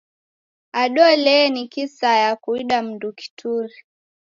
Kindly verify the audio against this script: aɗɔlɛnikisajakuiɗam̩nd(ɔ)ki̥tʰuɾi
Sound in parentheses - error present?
yes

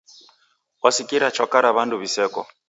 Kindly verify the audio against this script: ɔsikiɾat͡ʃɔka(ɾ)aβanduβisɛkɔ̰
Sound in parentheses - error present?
no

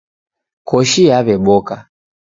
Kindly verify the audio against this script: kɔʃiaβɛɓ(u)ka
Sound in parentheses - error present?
yes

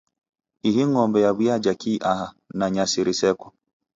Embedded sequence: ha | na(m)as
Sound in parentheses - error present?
yes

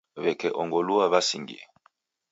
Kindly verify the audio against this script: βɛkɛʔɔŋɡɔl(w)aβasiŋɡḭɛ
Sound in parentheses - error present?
yes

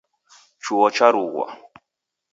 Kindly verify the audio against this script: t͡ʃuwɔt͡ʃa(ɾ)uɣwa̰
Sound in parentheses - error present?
no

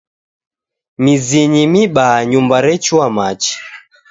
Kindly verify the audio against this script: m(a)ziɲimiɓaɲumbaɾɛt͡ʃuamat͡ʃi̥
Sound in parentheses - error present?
yes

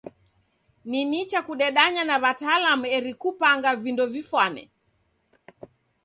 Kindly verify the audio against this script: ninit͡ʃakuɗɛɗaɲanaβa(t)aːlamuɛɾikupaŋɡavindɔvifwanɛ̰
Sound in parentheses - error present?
no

